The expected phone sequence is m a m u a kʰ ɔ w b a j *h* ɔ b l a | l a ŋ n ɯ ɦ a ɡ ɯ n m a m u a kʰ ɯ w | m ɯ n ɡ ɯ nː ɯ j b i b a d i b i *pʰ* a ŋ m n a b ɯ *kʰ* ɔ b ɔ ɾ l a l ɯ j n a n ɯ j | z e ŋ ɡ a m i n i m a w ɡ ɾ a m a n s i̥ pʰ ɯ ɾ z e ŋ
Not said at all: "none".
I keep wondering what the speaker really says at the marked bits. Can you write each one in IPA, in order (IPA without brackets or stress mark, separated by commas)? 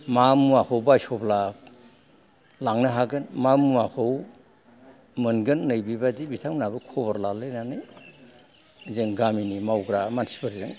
s, tʰ, kʰ